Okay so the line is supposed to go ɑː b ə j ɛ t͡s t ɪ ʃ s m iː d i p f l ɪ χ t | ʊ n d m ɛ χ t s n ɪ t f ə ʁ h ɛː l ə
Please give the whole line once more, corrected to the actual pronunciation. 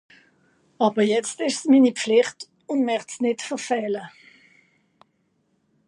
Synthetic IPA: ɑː b ə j ɛ t͡s t ɪ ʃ s m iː n i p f l ɪ χ t | ʊ n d m ɛ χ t s n ɪ t f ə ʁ f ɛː l ə